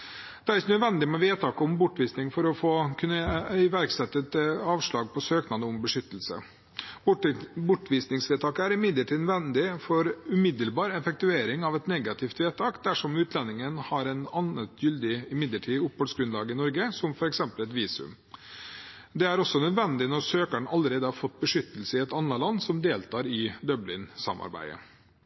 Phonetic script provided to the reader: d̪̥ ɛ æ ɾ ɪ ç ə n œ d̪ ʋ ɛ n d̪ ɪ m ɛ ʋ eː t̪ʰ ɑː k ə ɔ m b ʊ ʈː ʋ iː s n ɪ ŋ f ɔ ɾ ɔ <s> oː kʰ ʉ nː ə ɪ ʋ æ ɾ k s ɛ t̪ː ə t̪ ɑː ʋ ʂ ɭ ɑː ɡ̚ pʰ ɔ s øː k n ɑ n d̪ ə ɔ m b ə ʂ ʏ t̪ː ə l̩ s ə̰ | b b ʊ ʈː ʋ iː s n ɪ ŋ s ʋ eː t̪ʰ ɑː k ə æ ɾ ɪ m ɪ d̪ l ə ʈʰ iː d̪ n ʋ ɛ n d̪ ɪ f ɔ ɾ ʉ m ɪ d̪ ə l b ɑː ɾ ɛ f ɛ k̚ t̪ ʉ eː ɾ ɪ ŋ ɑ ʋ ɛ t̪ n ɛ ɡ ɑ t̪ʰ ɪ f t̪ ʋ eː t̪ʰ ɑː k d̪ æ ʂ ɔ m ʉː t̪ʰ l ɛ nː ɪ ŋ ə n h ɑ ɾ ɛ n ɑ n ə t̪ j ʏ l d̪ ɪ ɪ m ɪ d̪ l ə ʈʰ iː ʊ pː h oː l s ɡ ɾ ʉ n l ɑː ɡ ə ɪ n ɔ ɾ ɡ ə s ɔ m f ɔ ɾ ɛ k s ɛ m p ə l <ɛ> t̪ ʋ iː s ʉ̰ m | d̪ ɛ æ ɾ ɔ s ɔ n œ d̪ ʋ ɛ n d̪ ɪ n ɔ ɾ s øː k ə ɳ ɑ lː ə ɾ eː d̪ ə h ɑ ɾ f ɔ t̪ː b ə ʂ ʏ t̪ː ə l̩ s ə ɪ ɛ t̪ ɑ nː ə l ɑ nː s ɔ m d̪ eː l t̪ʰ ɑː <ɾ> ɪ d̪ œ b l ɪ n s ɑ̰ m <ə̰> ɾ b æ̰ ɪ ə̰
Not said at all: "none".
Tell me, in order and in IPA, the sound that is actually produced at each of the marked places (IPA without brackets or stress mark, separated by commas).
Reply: f, ɛ, ɾ, ɑ̰